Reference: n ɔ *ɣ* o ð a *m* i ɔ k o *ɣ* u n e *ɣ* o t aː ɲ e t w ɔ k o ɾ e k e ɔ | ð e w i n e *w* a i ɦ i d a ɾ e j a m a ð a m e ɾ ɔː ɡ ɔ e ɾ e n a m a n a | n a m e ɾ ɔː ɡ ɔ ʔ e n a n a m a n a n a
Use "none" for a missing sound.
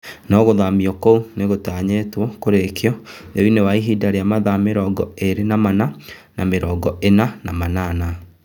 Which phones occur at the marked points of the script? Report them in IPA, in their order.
ɣ, m, none, ɣ, w

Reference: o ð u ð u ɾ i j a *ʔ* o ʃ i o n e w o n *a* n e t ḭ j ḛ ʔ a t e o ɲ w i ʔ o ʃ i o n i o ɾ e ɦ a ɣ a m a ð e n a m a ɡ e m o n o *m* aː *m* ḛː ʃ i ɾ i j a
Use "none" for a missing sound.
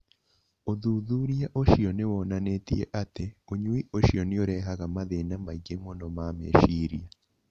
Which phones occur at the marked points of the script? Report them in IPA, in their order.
ʔ, a, m, m

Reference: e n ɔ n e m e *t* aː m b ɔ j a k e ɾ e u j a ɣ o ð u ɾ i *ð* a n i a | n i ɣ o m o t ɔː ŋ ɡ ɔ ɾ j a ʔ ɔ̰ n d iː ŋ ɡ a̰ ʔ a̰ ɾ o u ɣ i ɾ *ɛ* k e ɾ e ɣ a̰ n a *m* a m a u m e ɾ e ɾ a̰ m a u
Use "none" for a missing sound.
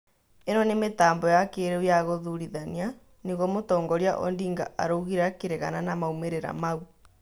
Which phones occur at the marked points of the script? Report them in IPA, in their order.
t, ð, a, n

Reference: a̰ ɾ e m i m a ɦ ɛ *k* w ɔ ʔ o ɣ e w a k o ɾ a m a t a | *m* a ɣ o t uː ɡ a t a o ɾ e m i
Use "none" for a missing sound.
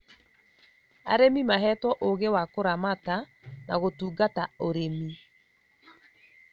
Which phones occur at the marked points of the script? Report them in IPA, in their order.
t, n

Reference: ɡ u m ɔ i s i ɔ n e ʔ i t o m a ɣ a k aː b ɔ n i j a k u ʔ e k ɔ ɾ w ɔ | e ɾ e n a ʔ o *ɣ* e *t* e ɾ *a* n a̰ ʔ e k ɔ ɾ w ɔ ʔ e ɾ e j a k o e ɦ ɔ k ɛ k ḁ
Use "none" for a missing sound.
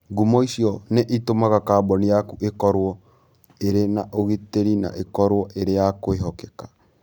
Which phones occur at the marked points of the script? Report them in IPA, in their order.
ɣ, t, i

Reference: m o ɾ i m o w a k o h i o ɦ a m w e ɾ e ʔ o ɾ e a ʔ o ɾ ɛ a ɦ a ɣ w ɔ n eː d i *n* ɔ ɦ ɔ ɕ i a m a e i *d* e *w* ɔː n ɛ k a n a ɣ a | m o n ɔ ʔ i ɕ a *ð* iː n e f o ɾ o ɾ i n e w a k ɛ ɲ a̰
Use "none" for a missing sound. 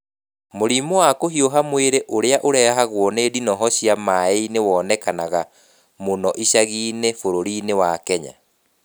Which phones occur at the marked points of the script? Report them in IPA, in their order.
n, n, w, ɣ

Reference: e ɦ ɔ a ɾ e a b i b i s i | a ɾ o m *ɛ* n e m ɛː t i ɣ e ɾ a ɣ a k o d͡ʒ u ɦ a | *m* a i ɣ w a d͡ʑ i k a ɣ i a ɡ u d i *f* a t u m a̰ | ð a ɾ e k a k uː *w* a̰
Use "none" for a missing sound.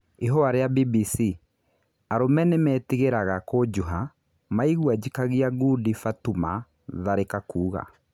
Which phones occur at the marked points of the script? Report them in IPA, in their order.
ɛ, m, f, ɣ

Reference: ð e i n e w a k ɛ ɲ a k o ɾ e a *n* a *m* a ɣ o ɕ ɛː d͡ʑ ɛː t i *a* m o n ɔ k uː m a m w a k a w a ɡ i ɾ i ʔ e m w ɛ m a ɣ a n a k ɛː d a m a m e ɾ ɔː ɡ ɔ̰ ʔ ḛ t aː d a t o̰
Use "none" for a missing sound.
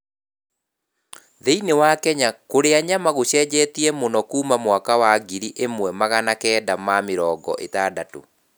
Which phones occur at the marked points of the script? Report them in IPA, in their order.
ɲ, m, ɛ

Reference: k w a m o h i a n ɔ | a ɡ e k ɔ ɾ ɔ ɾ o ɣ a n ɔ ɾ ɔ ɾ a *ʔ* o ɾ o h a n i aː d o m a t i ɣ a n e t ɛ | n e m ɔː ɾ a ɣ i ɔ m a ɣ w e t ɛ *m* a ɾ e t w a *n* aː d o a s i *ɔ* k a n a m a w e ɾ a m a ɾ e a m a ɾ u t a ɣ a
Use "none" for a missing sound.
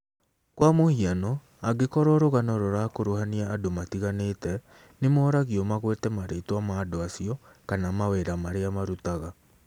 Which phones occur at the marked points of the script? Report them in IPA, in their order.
k, m, m, ɔ

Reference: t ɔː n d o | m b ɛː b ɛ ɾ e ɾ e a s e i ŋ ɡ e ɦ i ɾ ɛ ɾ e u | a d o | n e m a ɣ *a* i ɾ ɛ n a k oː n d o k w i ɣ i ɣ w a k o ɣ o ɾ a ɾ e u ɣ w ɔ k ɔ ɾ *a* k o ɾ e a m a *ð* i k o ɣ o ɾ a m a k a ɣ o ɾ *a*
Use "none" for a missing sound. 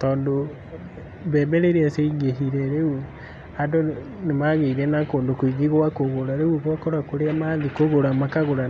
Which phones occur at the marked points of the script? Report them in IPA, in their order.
e, a, ð, a

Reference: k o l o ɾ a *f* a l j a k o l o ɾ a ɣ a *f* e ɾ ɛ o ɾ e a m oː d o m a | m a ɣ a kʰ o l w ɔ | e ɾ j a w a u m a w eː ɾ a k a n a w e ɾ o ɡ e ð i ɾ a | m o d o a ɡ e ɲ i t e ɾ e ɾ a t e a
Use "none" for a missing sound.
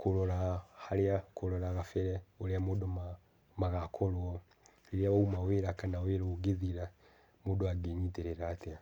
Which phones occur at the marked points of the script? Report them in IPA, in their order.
h, f

